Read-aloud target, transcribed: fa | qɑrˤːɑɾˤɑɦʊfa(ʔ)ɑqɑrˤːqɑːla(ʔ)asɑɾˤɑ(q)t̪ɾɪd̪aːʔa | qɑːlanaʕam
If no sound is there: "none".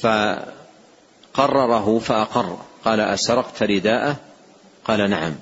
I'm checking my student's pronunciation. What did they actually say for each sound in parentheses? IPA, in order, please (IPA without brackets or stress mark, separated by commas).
ʔ, ʔ, q